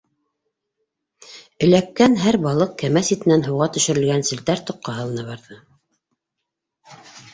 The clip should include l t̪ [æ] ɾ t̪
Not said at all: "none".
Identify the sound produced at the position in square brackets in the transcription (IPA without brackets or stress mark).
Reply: æ